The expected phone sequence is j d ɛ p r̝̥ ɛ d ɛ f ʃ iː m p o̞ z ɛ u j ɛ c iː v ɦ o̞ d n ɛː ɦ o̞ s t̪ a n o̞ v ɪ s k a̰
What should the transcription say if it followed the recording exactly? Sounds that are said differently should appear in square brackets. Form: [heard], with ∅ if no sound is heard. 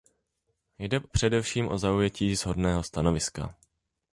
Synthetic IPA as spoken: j d ɛ p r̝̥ ɛ d ɛ f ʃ iː m [ʔ] o̞ z [a] u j ɛ c iː [z] ɦ o̞ d n ɛː ɦ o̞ s t̪ a n o̞ v ɪ s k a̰

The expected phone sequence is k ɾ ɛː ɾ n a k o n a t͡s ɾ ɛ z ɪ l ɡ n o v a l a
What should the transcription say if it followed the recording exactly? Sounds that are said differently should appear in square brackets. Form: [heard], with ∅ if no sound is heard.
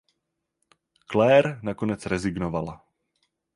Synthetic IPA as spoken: k [l] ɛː ɾ n a k o n [ɛ] t͡s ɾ ɛ z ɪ [∅] ɡ n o v a l a

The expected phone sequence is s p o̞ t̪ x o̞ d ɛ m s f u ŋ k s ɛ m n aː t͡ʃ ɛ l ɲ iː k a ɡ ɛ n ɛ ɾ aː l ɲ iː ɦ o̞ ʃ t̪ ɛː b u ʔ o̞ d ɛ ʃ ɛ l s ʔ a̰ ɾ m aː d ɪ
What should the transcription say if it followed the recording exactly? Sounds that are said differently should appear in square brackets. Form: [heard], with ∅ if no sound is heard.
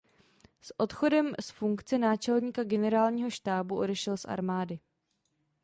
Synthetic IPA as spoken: s [ʔ] o̞ t̪ x o̞ d ɛ m s f u ŋ k [t͡s] ɛ [∅] n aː t͡ʃ ɛ l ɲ iː k a ɡ ɛ n ɛ ɾ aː l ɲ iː ɦ o̞ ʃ t̪ [aː] b u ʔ o̞ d ɛ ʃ ɛ l s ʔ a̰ ɾ m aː d ɪ

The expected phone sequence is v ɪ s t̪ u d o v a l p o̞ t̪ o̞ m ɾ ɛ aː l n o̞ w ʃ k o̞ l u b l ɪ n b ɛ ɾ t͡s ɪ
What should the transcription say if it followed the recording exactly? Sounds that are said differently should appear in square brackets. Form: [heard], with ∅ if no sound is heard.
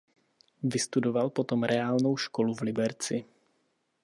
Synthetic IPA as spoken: v ɪ s t̪ u d o v a l p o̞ t̪ o̞ m ɾ ɛ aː l n o̞ w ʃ k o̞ l u [v] l ɪ [∅] b ɛ ɾ t͡s ɪ

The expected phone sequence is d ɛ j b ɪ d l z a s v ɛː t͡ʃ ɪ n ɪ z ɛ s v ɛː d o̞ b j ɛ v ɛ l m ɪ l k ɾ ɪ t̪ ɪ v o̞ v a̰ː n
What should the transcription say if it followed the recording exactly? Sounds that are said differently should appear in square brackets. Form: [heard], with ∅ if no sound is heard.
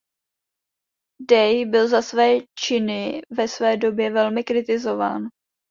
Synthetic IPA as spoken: d ɛ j b ɪ [∅] l z a s v ɛː t͡ʃ ɪ n ɪ [v] ɛ s v ɛː d o̞ b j ɛ v ɛ l m ɪ [∅] k ɾ ɪ t̪ ɪ [z] o̞ v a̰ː n

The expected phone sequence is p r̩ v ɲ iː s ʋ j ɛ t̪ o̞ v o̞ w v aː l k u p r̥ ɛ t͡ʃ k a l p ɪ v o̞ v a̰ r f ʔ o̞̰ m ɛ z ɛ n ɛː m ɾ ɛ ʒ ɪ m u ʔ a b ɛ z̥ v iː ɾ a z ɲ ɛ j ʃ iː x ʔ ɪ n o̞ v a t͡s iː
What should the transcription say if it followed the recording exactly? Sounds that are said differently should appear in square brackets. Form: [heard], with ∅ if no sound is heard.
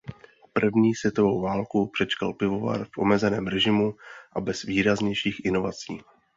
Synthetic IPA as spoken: p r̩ v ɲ iː s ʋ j ɛ t̪ o̞ v o̞ w v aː l k u p r̥ ɛ t͡ʃ k a l p ɪ v o̞ v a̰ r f ʔ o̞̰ m ɛ z ɛ n ɛː m ɾ ɛ ʒ ɪ m u ʔ a b ɛ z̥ v iː ɾ a z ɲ ɛ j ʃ iː x ʔ ɪ n o̞ v a t͡s iː

